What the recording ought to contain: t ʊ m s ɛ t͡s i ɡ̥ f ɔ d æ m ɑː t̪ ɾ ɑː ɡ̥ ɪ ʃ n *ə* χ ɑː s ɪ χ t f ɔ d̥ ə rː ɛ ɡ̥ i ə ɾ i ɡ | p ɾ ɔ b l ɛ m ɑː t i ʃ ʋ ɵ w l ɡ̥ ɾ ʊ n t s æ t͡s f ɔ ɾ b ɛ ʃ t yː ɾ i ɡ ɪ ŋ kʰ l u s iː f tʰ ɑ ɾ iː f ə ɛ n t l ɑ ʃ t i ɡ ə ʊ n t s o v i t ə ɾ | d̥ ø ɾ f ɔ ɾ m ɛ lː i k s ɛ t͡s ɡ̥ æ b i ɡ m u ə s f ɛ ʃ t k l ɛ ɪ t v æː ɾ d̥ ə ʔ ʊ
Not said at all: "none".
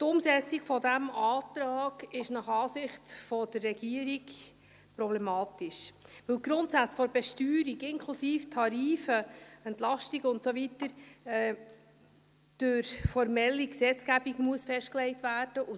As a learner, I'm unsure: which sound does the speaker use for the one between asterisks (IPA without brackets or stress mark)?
ɑ